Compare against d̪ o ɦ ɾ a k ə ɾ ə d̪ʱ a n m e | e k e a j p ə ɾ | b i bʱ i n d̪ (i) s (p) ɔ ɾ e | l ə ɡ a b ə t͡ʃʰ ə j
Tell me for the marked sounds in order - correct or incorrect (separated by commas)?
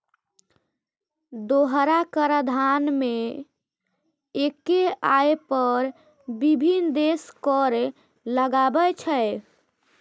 incorrect, incorrect